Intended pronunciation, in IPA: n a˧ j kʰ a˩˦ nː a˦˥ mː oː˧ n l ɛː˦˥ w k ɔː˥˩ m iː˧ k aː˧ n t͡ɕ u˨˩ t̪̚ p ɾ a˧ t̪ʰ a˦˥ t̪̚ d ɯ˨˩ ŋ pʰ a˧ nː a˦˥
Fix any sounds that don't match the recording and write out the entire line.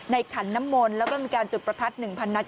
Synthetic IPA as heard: n a˧ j kʰ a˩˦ nː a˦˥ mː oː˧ n l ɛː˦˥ w k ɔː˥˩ m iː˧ k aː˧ n t͡ɕ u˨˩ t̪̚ p ɾ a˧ t̪ʰ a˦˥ t̪̚ n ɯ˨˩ ŋ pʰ a˧ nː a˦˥